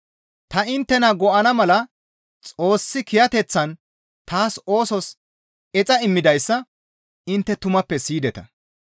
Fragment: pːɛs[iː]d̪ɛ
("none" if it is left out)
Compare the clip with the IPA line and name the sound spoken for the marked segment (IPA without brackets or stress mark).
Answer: iː